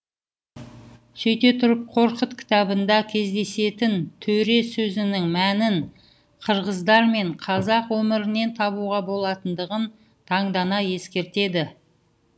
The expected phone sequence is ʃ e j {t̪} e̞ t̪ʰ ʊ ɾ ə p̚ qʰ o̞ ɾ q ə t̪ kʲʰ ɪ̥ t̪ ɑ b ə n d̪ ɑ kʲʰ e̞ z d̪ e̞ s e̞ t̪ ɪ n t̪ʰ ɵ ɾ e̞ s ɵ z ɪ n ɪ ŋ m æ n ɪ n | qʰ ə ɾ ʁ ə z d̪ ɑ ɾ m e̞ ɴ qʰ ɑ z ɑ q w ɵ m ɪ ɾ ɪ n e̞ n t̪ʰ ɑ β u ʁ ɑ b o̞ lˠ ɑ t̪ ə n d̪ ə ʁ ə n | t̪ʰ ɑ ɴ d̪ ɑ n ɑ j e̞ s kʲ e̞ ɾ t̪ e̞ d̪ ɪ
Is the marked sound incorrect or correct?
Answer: correct